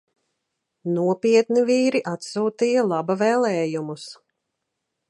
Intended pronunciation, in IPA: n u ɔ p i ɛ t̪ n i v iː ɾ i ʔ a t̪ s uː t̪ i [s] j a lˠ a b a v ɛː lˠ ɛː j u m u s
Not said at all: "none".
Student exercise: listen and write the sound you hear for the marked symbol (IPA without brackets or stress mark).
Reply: none